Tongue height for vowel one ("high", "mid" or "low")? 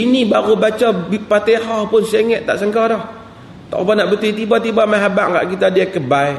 high